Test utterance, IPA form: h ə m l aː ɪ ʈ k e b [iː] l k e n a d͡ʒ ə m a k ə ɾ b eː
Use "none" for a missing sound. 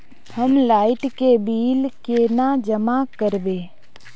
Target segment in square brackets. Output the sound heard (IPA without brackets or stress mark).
iː